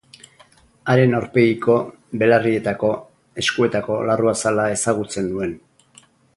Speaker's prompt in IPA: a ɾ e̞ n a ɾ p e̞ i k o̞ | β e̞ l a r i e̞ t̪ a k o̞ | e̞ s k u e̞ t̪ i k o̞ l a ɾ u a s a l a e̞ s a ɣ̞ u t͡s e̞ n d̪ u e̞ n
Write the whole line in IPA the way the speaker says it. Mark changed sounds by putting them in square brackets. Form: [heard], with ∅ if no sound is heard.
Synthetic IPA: a ɾ e̞ n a ɾ p e̞ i k o̞ | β e̞ l a r i e̞ t̪ a k o̞ | e̞ s k u e̞ t̪ [a] k o̞ l a [r] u a s a l a e̞ s a ɣ̞ u t͡s e̞ n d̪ u e̞ n